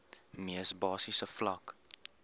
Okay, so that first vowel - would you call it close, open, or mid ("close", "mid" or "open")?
close